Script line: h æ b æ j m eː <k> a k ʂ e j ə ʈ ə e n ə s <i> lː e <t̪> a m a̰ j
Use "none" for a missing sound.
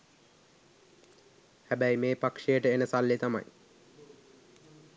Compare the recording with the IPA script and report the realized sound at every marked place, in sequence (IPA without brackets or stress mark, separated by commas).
p, a, t̪